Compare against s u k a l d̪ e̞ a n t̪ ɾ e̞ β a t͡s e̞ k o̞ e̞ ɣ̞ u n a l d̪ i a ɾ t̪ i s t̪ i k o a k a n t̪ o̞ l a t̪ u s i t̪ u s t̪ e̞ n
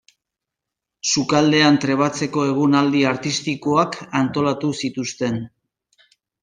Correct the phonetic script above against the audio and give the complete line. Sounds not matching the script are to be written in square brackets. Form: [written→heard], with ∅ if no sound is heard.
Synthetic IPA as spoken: s u k a l d̪ e̞ a n t̪ ɾ e̞ β a t͡s e̞ k o̞ e̞ ɣ̞ u n a l d̪ i a ɾ t̪ i s t̪ i k o a k a n t̪ o̞ l a t̪ u s i t̪ u s t̪ e̞ n